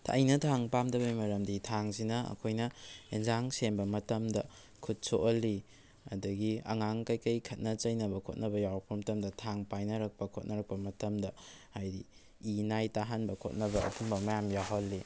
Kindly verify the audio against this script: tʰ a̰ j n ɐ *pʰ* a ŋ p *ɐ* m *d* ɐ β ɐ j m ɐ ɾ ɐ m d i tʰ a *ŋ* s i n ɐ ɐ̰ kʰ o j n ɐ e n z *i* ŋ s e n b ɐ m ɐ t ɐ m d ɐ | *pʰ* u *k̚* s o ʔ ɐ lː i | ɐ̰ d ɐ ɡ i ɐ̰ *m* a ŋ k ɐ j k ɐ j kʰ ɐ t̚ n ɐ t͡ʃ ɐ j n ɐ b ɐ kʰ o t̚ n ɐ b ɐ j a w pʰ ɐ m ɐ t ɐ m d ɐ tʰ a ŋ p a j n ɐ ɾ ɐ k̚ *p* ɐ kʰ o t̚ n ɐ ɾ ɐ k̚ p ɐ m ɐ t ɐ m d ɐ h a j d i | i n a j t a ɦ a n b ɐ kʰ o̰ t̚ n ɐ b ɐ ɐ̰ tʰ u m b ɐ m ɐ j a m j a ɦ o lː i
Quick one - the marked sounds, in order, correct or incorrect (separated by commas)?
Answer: incorrect, incorrect, correct, correct, incorrect, incorrect, incorrect, incorrect, correct